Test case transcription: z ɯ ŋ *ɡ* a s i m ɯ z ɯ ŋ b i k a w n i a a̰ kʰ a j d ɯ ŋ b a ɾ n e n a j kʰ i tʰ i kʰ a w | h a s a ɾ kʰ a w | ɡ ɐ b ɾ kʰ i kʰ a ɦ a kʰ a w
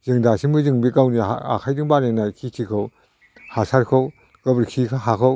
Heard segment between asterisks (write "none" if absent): d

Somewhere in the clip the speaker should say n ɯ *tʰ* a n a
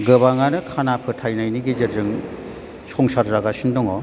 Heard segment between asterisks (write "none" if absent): kʰ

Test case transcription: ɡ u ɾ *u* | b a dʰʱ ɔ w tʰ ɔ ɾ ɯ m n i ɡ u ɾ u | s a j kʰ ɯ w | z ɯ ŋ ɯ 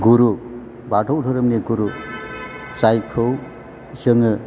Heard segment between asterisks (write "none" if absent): u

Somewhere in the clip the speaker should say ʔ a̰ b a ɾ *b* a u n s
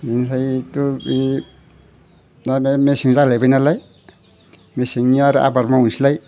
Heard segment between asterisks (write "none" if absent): m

